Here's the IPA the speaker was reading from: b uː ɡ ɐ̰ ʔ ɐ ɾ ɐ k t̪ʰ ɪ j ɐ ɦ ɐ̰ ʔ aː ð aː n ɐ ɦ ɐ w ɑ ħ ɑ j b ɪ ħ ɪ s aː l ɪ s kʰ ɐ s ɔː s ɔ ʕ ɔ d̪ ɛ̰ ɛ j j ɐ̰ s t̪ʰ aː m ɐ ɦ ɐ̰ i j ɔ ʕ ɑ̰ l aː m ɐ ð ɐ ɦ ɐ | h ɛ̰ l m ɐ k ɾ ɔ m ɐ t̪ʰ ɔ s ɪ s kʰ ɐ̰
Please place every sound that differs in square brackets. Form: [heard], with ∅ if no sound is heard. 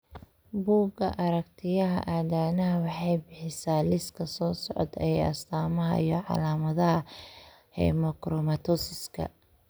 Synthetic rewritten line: b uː ɡ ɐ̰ ʔ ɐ ɾ ɐ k t̪ʰ ɪ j ɐ ɦ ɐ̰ ʔ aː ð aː n ɐ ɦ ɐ w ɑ ħ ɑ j b ɪ ħ ɪ s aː l ɪ s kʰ ɐ s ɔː s ɔ ʕ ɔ d̪ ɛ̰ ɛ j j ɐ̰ s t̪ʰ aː m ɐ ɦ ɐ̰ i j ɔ ʕ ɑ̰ l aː m ɐ ð ɐ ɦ ɐ | h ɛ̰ [∅] m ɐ k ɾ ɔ m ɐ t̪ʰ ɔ s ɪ s kʰ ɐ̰